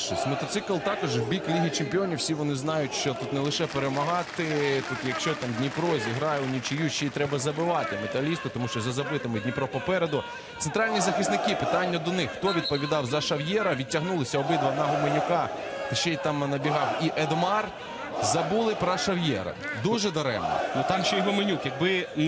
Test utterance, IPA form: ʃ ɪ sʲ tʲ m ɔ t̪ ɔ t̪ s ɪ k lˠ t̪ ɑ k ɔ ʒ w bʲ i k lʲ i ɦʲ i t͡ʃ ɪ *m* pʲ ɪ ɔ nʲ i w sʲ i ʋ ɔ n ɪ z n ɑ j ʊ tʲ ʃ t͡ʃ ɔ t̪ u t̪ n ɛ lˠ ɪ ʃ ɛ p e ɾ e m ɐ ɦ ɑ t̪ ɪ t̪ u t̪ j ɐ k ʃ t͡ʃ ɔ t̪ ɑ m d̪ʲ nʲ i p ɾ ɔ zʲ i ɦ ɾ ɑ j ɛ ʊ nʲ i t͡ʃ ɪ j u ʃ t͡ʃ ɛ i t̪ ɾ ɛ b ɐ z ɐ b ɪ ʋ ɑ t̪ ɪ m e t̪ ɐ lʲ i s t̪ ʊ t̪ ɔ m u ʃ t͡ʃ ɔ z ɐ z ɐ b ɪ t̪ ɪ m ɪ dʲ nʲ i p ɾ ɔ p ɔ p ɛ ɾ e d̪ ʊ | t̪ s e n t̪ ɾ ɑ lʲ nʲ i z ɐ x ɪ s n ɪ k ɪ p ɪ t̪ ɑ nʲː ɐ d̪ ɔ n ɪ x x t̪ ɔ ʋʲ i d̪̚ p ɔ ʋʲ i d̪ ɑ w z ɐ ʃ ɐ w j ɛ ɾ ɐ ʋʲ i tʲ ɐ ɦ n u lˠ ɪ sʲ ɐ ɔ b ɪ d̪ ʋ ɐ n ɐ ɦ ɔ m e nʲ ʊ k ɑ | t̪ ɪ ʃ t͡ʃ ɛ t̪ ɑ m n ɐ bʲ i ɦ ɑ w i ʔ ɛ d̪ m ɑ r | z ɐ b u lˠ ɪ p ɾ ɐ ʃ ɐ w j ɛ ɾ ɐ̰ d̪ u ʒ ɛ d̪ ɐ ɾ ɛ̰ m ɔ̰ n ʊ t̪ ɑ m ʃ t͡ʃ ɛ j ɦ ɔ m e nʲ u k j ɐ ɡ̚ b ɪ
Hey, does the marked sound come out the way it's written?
yes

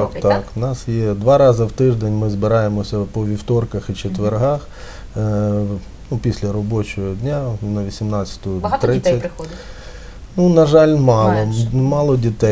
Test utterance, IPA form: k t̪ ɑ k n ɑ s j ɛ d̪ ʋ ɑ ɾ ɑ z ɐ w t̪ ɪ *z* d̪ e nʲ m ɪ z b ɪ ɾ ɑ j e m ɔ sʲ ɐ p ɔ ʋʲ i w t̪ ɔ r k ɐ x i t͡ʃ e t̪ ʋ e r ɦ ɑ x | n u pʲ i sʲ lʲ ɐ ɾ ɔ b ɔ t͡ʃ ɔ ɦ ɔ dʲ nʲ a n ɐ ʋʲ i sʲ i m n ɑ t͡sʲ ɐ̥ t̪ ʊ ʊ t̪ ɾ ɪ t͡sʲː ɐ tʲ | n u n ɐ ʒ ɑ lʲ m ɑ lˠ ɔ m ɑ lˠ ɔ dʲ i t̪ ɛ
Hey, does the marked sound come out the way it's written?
no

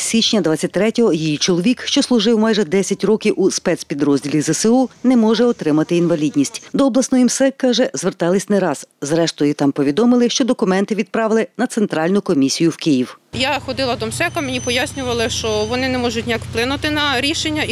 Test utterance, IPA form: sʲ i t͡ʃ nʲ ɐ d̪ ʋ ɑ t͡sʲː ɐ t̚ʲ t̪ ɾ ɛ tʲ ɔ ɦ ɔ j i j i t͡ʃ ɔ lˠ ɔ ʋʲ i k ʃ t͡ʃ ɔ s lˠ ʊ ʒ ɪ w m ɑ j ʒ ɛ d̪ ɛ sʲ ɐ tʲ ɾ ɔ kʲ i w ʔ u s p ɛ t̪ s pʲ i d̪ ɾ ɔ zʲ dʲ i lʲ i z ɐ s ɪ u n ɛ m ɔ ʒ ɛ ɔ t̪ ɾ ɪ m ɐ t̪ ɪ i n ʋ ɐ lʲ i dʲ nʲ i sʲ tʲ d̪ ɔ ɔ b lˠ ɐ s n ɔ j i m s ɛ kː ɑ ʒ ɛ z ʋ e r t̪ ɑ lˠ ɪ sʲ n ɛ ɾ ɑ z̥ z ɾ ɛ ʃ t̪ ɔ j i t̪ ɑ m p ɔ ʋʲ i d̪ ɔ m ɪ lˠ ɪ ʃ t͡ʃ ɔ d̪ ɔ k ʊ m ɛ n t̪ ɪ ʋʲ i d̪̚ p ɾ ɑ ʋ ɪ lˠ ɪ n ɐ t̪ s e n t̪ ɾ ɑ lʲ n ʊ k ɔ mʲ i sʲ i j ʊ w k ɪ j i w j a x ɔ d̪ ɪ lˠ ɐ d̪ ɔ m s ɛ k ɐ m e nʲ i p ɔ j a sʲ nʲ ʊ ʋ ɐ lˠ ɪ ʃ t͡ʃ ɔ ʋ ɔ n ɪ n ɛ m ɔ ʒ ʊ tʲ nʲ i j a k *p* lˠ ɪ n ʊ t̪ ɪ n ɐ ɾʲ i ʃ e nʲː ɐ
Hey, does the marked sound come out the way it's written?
yes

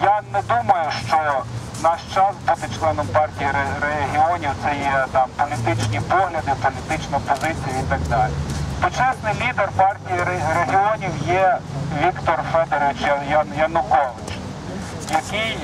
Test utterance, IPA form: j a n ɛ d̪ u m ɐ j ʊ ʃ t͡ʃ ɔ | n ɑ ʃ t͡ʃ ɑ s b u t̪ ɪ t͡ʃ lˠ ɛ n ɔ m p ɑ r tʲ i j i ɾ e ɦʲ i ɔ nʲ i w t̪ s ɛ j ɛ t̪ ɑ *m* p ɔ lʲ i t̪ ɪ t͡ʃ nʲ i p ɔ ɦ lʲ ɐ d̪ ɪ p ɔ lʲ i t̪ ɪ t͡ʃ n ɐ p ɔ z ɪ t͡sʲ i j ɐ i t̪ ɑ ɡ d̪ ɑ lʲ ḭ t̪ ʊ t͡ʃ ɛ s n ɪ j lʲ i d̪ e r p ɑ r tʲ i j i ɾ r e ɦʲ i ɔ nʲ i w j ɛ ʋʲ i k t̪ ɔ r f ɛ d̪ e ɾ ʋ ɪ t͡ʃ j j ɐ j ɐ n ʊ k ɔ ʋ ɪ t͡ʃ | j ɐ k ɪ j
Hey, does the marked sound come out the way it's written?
yes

